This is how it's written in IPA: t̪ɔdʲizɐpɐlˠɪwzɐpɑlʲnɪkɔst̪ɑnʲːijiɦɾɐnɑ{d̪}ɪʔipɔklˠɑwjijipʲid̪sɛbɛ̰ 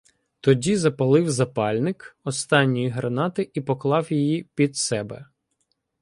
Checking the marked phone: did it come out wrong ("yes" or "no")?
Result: yes